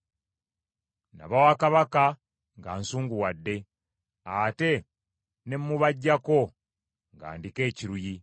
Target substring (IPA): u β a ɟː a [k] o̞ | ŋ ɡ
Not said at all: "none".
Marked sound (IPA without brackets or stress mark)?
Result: k